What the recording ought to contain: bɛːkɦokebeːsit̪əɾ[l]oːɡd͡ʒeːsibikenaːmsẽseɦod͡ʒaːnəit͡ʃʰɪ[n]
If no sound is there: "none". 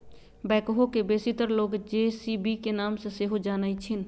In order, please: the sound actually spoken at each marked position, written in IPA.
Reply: l, n

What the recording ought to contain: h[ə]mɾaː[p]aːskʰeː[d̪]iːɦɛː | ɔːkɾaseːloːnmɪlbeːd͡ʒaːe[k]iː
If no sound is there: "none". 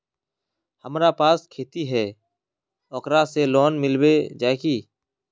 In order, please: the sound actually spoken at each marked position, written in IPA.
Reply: ə, p, t̪, k

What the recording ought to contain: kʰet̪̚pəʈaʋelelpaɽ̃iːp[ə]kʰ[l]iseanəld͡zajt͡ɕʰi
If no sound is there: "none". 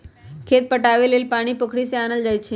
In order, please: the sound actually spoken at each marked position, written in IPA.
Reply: ə, ɽ

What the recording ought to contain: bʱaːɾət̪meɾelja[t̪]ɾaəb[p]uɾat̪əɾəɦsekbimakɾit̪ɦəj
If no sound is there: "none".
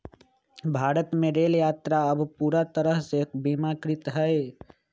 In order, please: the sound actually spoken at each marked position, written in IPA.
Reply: t̪, p

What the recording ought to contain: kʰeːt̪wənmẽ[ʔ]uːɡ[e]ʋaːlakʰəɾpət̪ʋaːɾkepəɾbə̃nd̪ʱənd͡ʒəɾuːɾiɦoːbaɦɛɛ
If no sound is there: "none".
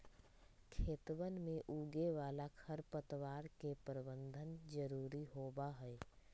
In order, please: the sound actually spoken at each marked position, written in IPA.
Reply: ʔ, e

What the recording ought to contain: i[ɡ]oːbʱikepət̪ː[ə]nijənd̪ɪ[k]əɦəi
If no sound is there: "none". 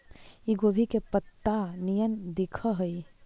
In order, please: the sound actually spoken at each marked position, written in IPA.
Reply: ɡ, a, kʰ

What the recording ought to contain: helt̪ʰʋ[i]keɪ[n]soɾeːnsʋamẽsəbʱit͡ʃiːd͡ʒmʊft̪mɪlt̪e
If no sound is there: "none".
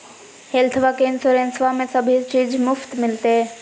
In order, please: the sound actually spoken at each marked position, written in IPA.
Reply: a, n

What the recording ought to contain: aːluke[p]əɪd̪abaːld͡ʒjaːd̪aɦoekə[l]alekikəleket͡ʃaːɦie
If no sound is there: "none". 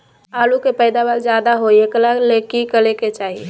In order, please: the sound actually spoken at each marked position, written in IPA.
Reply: p, l

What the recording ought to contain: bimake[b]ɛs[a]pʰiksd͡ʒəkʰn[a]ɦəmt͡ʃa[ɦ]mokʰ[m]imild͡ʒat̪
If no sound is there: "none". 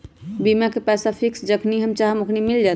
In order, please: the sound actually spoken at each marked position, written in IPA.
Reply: p, a, i, ɦ, n

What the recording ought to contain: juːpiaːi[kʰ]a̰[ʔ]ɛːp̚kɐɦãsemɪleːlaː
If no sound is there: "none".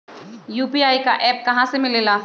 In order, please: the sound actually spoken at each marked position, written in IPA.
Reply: k, ʔ

